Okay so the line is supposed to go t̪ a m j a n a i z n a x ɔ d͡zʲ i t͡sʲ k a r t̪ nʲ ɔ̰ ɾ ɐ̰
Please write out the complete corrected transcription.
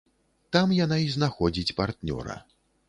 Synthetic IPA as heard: t̪ a m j a n a i z n a x ɔ d͡zʲ i t͡sʲ p a r t̪ nʲ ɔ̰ ɾ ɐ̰